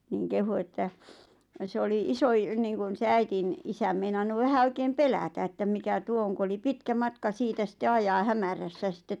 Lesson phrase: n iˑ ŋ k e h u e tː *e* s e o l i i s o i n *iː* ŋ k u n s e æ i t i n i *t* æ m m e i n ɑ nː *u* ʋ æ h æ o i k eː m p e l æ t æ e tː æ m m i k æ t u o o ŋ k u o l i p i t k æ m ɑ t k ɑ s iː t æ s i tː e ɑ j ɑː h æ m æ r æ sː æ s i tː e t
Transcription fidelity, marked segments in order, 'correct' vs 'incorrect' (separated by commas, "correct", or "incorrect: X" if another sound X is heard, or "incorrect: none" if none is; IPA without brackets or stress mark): incorrect: æ, correct, incorrect: s, correct